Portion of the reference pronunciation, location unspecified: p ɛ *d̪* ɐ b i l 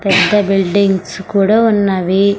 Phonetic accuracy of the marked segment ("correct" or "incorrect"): incorrect